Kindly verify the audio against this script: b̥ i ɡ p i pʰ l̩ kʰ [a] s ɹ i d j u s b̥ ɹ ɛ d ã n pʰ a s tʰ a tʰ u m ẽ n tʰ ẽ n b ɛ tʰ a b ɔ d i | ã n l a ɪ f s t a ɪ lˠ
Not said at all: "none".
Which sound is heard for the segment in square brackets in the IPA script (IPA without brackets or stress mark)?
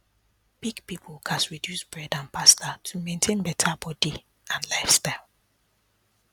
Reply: a